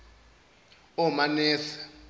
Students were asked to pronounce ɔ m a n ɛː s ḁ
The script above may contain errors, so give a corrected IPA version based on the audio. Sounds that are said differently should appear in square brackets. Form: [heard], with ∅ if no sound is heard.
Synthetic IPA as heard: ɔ m a n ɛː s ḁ